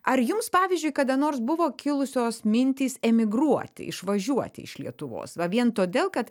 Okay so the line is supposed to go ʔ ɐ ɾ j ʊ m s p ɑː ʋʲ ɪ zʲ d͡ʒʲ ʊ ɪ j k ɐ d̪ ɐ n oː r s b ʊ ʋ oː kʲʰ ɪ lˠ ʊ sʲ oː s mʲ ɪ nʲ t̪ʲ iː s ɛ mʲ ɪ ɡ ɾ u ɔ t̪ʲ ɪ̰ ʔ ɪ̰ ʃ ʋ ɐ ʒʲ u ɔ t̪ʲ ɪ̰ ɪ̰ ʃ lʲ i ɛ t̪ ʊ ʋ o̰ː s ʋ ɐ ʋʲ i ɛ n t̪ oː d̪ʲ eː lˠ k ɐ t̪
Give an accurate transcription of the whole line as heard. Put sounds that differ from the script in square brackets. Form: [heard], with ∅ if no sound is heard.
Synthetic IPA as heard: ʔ ɐ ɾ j ʊ m s p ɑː ʋʲ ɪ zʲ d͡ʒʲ ʊ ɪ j k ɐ d̪ ɐ n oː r s b ʊ ʋ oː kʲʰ ɪ lˠ ʊ sʲ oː s mʲ ɪ nʲ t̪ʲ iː s ɛ mʲ ɪ ɡ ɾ u ɔ t̪ʲ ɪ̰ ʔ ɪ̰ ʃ ʋ ɐ ʒʲ u ɔ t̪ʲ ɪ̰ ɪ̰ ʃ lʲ i ɛ t̪ ʊ ʋ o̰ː s ʋ ɐ ʋʲ i ɛ n t̪ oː d̪ʲ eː lˠ k ɐ t̪